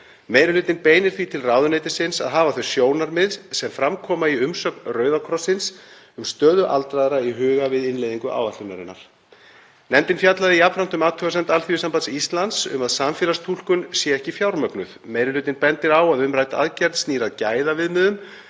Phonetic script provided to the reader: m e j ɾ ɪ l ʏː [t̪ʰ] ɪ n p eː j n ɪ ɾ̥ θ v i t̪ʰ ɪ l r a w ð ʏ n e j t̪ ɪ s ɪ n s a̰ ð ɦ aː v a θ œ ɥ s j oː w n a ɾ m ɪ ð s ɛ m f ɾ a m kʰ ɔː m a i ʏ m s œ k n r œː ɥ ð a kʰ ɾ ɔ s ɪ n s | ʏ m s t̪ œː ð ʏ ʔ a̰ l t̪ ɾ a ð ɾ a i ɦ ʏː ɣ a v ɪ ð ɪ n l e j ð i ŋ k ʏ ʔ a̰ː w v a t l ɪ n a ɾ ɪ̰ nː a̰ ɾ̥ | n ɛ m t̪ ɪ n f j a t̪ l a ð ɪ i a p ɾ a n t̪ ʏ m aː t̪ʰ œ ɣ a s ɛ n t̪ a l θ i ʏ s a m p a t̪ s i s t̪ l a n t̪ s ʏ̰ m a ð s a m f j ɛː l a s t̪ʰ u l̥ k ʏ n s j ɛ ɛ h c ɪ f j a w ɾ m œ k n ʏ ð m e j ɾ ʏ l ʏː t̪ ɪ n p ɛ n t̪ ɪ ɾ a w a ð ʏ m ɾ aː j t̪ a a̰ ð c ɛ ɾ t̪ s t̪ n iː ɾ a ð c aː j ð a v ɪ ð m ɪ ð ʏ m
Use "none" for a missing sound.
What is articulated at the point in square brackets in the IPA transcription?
t̪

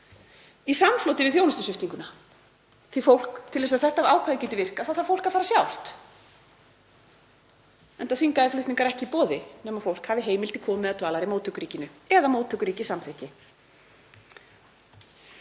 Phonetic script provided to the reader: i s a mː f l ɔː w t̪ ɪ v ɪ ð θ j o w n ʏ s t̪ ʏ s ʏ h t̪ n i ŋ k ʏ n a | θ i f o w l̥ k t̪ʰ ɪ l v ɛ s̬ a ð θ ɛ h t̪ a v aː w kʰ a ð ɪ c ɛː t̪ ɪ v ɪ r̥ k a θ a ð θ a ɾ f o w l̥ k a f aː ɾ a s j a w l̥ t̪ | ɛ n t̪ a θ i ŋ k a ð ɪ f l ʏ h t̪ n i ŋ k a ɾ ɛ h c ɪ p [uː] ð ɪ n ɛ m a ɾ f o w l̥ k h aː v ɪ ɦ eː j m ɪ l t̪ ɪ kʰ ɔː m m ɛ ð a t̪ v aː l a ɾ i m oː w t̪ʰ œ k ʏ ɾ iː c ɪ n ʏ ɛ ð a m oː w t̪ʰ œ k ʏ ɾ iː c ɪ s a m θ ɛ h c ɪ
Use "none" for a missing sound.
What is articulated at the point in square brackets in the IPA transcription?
ɔː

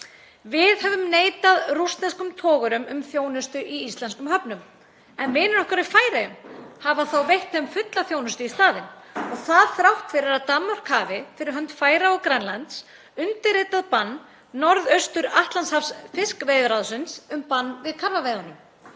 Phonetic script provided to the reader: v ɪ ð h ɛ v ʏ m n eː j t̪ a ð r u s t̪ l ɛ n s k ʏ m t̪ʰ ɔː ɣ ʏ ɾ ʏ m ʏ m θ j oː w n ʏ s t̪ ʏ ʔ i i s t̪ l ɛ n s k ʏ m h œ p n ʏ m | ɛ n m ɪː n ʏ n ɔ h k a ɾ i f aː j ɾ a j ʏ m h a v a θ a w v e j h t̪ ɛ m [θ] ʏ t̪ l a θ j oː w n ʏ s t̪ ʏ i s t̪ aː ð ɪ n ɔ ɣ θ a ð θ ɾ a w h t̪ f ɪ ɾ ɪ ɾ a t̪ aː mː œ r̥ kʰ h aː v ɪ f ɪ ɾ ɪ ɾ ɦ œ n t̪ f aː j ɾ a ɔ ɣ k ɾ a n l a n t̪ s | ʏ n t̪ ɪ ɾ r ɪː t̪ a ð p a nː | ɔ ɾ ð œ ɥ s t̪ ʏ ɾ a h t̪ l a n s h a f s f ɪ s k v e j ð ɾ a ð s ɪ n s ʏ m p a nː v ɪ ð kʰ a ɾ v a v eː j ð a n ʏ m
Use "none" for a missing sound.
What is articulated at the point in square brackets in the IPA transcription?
f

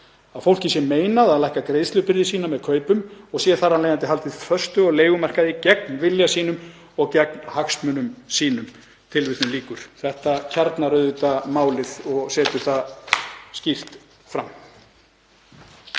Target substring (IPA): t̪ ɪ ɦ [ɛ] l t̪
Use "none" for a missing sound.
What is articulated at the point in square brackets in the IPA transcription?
a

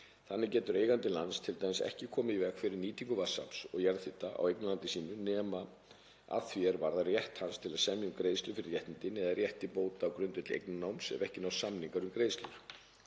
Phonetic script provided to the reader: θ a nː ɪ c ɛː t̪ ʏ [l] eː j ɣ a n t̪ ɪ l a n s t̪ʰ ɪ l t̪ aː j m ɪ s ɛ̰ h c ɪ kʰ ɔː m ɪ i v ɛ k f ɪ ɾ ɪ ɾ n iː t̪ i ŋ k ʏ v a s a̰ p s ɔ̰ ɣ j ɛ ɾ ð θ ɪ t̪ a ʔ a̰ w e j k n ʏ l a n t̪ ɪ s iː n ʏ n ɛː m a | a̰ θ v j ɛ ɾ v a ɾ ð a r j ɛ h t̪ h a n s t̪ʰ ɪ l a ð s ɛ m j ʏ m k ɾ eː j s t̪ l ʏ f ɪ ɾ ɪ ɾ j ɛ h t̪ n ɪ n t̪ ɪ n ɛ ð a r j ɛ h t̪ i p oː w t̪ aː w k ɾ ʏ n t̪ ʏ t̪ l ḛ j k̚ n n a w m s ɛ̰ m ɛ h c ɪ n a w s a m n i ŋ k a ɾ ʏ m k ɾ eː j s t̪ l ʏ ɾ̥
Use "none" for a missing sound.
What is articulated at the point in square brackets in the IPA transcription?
ɾ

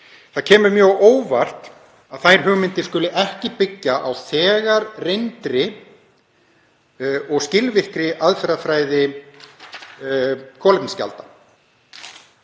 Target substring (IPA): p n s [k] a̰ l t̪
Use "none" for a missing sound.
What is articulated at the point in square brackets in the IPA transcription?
c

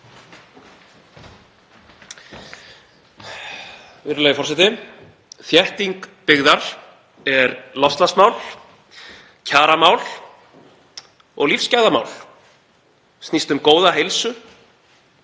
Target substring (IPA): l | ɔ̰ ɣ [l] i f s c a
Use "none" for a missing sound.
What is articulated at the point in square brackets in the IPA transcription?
l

